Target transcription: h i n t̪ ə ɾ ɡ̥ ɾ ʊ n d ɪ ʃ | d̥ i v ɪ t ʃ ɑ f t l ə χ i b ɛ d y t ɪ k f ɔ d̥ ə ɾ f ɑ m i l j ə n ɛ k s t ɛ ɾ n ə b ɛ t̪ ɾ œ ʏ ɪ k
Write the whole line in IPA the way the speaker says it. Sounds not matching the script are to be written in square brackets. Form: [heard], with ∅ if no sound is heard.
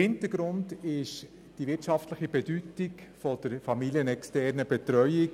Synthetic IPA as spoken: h [ɪ] n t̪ ə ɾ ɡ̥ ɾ ʊ n d ɪ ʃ | d̥ i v ɪ t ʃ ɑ f t l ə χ i b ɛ d y t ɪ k f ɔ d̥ ə ɾ f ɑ m i l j ə n ɛ k s t ɛ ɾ n ə b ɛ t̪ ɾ œ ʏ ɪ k